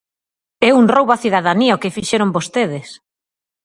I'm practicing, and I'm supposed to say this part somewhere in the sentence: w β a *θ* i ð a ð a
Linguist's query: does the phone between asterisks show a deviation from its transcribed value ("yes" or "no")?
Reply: no